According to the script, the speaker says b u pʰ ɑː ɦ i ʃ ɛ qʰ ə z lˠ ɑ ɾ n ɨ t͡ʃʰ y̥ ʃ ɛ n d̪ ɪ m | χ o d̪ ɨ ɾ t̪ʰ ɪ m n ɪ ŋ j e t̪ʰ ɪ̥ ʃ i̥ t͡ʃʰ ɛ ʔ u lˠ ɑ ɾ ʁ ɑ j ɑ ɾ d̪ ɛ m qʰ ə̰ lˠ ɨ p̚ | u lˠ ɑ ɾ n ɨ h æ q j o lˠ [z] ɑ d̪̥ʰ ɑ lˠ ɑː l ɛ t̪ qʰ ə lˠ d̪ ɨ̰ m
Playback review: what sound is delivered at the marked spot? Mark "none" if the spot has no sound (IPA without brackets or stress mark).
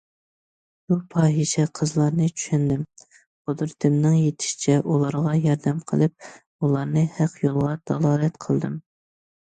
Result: ʁ